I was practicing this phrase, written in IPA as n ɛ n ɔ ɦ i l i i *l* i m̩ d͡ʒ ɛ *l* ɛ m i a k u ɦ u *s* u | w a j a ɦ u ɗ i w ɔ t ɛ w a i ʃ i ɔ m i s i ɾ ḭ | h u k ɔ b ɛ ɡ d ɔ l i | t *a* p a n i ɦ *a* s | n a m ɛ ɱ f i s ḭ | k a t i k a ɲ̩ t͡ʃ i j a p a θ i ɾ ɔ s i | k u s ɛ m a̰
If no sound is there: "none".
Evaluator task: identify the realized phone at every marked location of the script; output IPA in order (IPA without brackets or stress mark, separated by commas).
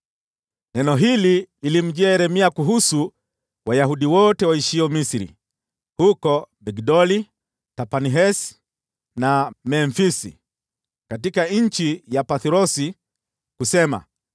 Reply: l, ɾ, s, a, ɛ